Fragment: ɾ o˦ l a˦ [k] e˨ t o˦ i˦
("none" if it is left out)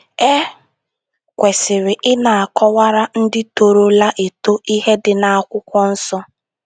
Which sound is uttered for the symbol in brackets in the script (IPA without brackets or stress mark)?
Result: ʔ